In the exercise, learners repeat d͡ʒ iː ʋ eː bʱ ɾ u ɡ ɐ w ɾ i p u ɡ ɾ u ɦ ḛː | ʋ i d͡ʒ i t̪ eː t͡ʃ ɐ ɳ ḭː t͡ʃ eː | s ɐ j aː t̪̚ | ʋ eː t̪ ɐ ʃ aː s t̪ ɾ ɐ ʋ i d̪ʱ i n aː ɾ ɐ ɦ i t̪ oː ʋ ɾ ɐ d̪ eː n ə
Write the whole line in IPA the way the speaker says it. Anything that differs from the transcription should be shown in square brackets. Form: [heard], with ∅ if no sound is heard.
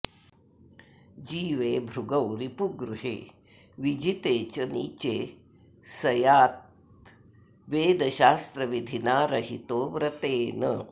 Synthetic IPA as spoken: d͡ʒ iː ʋ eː bʱ ɾ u ɡ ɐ w ɾ i p u ɡ ɾ u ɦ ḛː | ʋ i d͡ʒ i t̪ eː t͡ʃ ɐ [n] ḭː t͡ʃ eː | s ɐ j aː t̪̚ | ʋ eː [d̪] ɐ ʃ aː s t̪ ɾ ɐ ʋ i d̪ʱ i n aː ɾ ɐ ɦ i t̪ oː ʋ ɾ ɐ [t̪] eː n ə